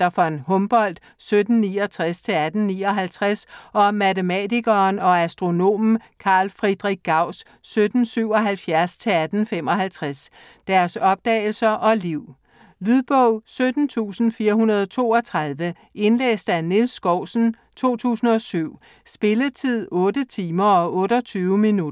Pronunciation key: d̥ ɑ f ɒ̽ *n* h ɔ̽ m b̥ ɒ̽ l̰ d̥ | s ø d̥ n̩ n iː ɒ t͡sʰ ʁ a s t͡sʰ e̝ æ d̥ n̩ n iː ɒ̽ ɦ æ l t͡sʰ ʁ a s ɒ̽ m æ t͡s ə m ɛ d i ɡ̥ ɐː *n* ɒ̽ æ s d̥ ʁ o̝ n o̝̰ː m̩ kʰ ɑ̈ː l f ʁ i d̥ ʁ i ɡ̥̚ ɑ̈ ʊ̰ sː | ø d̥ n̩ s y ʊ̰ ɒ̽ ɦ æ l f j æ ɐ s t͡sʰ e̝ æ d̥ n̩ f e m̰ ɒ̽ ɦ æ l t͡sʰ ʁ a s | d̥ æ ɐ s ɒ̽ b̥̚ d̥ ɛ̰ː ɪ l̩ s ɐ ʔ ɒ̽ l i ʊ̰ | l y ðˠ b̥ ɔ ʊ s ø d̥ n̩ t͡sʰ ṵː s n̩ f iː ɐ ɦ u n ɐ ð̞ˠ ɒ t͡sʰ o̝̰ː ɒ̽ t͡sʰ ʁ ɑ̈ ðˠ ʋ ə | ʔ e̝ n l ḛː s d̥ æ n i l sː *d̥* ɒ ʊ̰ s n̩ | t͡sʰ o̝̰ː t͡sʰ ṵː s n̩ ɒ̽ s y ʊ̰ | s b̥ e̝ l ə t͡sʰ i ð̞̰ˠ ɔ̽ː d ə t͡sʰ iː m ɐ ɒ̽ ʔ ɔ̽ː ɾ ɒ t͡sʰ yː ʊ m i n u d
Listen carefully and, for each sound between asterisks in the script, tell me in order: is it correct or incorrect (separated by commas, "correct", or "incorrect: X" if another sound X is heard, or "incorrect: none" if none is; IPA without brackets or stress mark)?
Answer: correct, correct, incorrect: ɡ̥